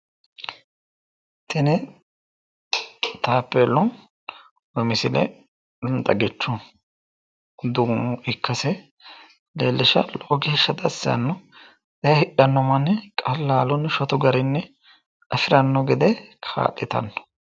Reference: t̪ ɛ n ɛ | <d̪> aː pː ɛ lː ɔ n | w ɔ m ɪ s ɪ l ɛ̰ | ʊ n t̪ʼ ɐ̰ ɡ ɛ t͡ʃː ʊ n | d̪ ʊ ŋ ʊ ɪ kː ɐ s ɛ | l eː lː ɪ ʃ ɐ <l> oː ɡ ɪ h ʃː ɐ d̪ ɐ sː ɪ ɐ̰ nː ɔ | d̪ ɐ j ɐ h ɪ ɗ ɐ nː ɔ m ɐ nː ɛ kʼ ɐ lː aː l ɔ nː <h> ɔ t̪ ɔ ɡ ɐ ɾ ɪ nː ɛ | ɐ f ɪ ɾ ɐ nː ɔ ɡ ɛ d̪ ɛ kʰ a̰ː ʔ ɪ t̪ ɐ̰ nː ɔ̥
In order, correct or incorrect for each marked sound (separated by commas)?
incorrect, correct, incorrect